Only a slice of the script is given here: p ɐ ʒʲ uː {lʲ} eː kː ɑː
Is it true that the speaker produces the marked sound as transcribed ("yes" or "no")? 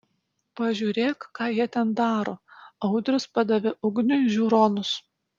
no